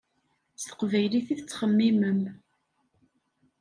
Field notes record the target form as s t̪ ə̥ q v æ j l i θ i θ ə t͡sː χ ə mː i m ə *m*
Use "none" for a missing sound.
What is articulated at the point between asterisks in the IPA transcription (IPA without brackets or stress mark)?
m